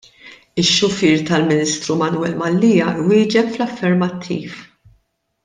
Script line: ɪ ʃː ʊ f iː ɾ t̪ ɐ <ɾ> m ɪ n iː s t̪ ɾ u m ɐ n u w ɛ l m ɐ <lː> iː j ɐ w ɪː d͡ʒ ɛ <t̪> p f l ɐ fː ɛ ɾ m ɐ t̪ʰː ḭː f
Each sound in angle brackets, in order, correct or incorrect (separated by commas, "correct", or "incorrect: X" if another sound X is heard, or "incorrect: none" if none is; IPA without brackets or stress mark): incorrect: l, correct, incorrect: none